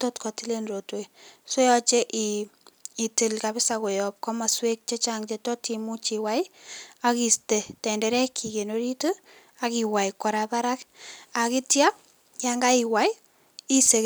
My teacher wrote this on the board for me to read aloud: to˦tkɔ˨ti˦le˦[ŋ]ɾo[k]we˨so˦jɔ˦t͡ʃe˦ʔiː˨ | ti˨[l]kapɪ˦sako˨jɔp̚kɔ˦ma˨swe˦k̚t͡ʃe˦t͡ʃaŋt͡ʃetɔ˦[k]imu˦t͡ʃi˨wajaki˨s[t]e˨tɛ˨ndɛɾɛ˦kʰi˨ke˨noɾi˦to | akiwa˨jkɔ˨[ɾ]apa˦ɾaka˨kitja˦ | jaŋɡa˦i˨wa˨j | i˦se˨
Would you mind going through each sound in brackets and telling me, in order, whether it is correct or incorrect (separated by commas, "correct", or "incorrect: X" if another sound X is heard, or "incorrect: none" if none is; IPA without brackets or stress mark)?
incorrect: n, incorrect: t, correct, incorrect: t, correct, correct